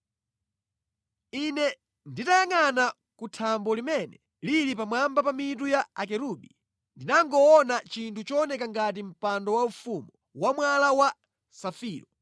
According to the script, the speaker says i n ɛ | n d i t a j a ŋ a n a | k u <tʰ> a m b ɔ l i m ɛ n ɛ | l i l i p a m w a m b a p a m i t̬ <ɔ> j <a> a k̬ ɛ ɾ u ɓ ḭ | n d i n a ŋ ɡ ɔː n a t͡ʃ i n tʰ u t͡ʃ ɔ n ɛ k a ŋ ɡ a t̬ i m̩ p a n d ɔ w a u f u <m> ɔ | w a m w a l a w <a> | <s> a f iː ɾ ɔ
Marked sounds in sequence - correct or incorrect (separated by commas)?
correct, incorrect, correct, correct, correct, correct